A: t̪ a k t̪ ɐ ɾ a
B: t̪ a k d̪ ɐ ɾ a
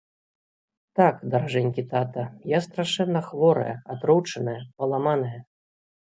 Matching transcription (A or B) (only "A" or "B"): B